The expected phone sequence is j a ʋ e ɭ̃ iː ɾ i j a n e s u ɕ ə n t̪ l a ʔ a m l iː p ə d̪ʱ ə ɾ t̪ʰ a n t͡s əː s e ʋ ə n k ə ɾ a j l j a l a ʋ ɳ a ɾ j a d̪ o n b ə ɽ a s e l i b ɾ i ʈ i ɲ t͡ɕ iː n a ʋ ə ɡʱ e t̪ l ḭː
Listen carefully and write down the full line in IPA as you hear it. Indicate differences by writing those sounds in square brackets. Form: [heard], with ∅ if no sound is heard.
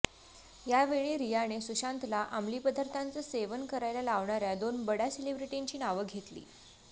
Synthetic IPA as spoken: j a ʋ e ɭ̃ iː ɾ i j a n e s u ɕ [a] n t̪ l a ʔ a m l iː p ə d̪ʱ ə ɾ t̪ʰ a n t͡s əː s e ʋ ə n k ə ɾ a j l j a l a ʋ ɳ a ɾ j a d̪ o n b ə ɽ a s e l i b ɾ i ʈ i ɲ t͡ɕ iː n a ʋ ə ɡʱ e t̪ l ḭː